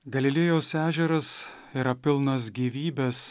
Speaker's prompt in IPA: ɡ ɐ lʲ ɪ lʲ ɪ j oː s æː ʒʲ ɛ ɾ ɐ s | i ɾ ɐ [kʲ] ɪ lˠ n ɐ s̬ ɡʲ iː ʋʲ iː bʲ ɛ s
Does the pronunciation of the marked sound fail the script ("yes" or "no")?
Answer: yes